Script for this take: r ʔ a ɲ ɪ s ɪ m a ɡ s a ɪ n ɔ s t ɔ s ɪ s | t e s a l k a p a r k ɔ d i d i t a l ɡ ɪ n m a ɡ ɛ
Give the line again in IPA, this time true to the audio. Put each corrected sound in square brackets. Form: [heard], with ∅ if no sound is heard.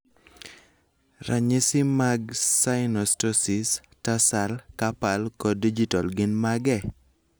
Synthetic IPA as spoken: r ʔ a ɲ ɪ s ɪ m a ɡ s a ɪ n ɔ s t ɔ s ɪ s | t [a] s a l k a p a [l] k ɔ d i [d͡ʒ] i t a l ɡ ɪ n m a ɡ ɛ